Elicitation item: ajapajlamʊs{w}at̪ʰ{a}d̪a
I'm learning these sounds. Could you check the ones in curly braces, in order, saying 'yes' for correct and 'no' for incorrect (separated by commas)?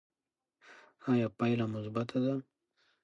no, yes